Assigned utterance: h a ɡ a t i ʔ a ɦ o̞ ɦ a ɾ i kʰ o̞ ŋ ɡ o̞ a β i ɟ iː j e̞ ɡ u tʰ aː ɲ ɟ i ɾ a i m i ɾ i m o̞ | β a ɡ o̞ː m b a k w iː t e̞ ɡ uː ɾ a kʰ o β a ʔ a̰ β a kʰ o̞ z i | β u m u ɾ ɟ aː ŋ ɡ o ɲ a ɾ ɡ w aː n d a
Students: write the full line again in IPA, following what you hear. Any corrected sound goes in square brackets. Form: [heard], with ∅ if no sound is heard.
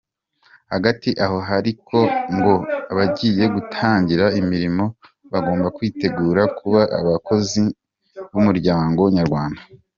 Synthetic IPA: h a ɡ a t i ʔ a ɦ o̞ ɦ a ɾ i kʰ o̞ ŋ ɡ o̞ a β [a] ɟ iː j e̞ ɡ u tʰ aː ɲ ɟ i ɾ a i m i ɾ i m o̞ | β a ɡ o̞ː m b a k w iː t e̞ ɡ uː ɾ a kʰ [u] β a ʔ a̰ β a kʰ o̞ z i | β u m u ɾ ɟ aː ŋ ɡ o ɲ a ɾ ɡ w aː n d a